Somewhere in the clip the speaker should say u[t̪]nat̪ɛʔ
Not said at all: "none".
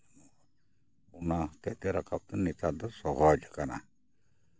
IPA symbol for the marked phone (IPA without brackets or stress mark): none